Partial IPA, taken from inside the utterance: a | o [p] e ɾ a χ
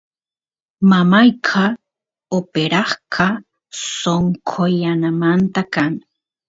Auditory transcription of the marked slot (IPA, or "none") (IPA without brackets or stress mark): p